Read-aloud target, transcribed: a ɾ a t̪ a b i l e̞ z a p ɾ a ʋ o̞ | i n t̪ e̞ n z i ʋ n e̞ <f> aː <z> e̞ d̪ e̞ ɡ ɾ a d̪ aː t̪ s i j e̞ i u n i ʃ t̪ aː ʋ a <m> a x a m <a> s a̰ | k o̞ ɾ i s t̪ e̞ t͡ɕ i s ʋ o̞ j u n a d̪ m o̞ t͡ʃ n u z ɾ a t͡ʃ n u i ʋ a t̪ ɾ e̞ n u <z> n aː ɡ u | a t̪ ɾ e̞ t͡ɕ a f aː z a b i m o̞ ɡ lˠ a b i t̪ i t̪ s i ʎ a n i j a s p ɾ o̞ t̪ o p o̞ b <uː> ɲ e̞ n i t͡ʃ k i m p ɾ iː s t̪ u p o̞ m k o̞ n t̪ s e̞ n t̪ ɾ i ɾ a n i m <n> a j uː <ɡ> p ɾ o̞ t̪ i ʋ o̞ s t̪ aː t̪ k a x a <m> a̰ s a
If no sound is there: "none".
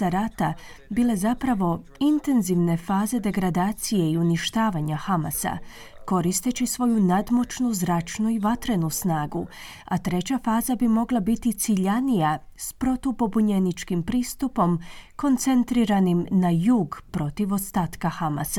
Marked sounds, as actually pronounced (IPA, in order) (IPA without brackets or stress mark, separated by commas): f, z, ɲ, a, s, u, n, ɡ, m